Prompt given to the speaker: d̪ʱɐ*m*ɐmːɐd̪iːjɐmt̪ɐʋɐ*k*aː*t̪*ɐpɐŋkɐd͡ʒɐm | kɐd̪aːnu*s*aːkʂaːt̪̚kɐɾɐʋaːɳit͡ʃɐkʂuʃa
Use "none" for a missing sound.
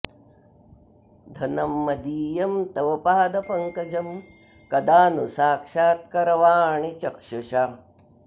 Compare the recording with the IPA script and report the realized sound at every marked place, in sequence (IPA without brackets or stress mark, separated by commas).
n, p, d̪, s